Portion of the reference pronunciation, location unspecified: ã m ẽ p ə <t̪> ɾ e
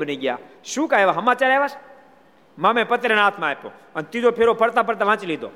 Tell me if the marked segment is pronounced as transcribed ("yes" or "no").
yes